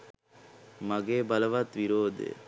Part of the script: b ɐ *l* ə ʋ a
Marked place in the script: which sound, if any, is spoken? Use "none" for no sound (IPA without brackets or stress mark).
l